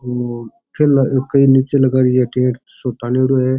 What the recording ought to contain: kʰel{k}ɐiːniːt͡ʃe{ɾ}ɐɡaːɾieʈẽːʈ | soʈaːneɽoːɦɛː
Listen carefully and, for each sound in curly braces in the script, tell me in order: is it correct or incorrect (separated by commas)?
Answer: correct, incorrect